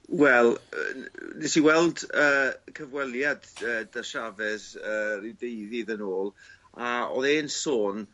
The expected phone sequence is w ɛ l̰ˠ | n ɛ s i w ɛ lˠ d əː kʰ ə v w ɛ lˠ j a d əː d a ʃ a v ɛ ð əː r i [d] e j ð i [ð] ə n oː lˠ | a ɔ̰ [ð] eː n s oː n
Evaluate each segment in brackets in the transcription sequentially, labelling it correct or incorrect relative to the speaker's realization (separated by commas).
correct, correct, correct